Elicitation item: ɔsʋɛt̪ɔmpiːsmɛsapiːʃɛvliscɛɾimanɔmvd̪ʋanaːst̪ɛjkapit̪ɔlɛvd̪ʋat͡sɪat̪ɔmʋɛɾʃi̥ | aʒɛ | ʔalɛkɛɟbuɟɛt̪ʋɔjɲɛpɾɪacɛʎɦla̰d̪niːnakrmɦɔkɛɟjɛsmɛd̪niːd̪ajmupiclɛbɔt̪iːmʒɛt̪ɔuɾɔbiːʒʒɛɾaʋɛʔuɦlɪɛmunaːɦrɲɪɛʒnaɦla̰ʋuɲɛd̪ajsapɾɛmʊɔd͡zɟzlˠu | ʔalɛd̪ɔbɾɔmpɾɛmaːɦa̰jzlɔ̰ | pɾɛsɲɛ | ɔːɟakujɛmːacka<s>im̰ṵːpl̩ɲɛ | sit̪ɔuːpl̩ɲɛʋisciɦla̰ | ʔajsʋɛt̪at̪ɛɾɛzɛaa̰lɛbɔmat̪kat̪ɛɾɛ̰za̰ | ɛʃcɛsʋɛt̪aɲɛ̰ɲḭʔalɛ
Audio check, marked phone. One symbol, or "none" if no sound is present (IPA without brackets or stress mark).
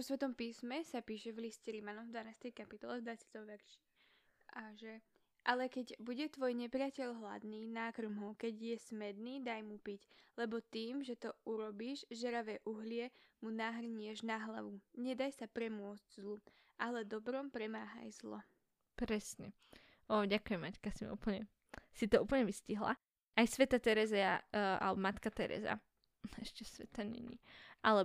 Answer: s